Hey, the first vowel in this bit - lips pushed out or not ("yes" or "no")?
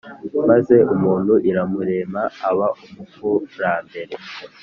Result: no